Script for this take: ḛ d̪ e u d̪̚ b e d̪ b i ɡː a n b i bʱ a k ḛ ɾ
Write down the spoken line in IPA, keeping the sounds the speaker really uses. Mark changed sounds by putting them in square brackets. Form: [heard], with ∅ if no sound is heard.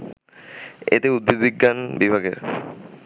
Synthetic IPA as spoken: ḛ [t̪] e u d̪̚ b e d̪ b i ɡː a n b i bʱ a [ɡ] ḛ ɾ